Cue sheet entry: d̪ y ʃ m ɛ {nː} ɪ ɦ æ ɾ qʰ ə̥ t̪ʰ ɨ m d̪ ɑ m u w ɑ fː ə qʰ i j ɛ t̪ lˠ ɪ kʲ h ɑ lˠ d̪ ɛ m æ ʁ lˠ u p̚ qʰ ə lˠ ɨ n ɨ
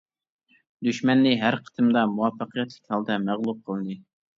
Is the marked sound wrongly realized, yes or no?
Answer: no